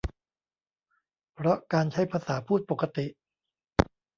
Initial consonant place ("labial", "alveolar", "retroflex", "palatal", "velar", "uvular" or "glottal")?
labial